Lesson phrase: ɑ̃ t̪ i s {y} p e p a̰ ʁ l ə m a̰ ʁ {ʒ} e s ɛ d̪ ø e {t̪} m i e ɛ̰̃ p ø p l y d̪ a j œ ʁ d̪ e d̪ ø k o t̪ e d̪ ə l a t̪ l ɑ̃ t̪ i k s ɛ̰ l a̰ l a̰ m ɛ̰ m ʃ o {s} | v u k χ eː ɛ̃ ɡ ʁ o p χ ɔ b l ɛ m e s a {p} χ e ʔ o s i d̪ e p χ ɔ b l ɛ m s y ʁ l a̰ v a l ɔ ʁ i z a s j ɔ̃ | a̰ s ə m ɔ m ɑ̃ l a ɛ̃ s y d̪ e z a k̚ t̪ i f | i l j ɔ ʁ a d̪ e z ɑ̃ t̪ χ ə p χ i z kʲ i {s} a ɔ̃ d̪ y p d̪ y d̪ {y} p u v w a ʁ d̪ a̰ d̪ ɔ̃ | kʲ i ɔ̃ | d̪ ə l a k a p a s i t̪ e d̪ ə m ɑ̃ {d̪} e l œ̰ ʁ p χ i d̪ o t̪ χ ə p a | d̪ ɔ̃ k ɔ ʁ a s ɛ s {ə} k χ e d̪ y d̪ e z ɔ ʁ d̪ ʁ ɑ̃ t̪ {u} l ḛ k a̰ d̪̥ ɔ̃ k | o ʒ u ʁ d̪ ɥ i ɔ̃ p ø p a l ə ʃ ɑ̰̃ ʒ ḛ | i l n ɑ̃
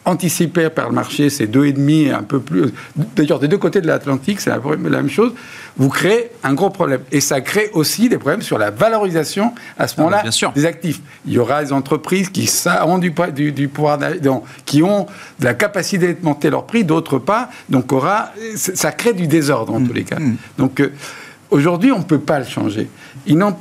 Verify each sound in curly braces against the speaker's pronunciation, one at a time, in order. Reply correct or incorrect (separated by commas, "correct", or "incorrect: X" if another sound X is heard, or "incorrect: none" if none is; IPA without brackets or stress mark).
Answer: incorrect: i, incorrect: ʃ, incorrect: d̪, incorrect: z, incorrect: k, correct, correct, incorrect: t̪, incorrect: a, correct